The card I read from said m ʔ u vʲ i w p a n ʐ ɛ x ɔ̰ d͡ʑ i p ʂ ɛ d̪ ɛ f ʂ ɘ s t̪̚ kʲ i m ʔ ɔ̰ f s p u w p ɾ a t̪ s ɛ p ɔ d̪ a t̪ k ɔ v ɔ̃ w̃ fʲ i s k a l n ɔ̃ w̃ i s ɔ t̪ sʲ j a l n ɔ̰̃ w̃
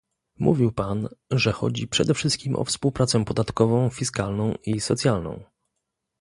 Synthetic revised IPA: m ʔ u vʲ i w p a n ʐ ɛ x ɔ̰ d͡ʑ i p ʂ ɛ d̪ ɛ f ʂ ɘ s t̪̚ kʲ i m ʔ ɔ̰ f s p u w p ɾ a t̪ s ɛ p ɔ d̪ a t̪ k ɔ v ɔ̃ w̃ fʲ i s k a l n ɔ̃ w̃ i s ɔ t̪ sʲ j a l n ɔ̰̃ w̃